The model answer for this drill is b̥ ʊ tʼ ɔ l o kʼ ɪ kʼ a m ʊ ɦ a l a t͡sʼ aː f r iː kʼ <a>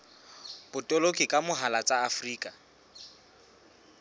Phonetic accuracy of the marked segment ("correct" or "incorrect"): correct